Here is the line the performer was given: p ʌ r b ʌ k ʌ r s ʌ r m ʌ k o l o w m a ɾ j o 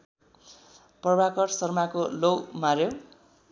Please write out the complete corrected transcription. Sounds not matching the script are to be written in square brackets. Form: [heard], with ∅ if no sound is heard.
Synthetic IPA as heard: p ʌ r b [a] k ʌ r s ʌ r m [a] k o l o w m a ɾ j o